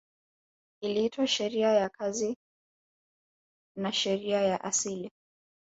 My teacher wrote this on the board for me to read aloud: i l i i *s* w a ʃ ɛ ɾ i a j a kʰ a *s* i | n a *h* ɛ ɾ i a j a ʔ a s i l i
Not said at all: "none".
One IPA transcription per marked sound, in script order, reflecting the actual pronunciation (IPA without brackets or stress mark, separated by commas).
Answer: t, z, ʃ